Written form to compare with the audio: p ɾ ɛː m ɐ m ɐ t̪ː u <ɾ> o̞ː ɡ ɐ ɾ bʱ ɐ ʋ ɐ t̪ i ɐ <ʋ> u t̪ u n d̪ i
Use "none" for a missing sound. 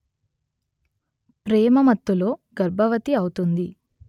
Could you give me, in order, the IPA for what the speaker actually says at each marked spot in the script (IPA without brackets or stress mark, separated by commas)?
l, w